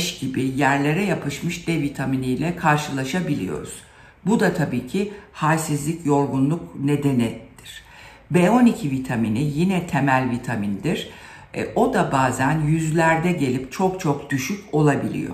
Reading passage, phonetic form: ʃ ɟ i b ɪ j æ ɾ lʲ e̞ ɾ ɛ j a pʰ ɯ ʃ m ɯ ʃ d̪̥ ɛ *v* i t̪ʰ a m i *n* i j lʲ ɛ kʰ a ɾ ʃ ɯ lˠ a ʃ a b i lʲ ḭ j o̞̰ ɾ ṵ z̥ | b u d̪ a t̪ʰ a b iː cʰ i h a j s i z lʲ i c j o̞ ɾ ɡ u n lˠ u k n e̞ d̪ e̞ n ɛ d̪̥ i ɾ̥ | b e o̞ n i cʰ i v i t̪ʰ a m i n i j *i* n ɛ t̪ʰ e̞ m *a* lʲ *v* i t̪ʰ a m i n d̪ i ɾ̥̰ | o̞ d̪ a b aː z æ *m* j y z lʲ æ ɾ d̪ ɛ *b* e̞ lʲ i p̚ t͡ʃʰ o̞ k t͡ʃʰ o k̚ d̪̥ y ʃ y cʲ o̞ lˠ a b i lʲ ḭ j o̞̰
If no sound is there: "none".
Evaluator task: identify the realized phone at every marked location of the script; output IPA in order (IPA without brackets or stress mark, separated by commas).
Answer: v, n, i, æ, v, n, ɟ